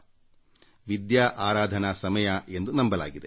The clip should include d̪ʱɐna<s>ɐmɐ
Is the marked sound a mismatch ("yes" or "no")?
no